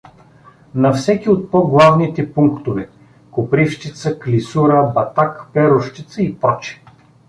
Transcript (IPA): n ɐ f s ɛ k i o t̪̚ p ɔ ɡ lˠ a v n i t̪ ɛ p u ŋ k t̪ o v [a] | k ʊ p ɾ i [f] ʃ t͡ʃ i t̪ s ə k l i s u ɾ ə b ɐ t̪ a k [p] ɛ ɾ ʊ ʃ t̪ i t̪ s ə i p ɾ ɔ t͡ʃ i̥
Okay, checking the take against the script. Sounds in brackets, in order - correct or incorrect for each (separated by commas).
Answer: incorrect, correct, correct